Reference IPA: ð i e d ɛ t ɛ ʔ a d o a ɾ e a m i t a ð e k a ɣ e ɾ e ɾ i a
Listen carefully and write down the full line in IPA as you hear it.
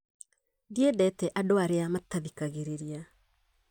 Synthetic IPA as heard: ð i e d ɛ t ɛ ʔ a d o a ɾ e a m a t a ð i k a ɣ e ɾ e ɾ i a